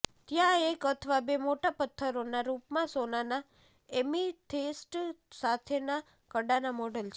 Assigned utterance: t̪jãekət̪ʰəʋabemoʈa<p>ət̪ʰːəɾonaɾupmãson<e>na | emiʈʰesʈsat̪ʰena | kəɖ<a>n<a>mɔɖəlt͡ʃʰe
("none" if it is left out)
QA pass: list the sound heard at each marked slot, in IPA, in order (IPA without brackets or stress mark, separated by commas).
p, a, a, a